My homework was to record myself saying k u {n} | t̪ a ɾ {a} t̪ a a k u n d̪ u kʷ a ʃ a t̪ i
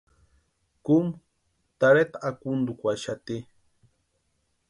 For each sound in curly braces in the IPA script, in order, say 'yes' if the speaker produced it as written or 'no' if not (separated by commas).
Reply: no, no